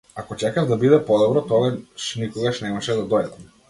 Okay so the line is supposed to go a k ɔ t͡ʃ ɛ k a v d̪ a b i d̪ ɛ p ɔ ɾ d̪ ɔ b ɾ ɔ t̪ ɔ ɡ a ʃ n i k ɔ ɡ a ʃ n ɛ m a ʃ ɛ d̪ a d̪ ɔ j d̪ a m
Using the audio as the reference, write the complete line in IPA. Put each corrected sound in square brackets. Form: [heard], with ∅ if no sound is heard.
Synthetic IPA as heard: a k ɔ t͡ʃ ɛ k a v d̪ a b i d̪ ɛ p ɔ [∅] d̪ ɔ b ɾ ɔ t̪ ɔ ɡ a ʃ n i k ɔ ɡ a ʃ n ɛ m a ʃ ɛ d̪ a d̪ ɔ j d̪ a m